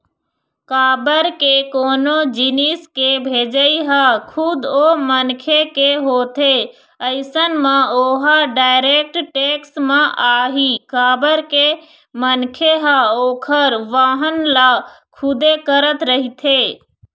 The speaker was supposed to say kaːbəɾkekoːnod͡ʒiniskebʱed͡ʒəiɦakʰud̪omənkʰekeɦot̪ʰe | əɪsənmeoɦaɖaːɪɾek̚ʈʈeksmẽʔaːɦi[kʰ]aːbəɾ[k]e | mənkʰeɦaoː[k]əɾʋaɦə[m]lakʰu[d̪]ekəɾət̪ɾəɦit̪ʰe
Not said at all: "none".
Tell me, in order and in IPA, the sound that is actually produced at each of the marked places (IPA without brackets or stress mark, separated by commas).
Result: k, k, kʰ, n, d̪